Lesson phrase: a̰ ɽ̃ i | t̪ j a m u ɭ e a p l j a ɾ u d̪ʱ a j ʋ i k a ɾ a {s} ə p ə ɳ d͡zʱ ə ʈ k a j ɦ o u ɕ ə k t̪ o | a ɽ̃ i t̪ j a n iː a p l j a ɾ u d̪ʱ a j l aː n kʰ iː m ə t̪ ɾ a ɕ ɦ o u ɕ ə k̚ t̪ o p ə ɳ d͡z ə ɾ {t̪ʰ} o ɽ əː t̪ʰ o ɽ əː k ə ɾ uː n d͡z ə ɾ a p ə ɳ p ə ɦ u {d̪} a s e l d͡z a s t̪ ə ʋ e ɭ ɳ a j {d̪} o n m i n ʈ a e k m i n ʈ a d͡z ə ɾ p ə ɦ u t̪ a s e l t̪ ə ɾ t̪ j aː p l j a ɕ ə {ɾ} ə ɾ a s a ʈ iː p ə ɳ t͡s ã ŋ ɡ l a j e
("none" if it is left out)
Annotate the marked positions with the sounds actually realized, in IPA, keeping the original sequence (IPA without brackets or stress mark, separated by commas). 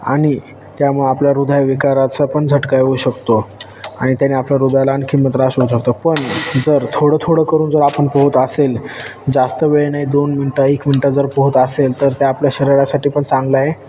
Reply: t͡s, t̪ʰ, t̪, d̪, ɾ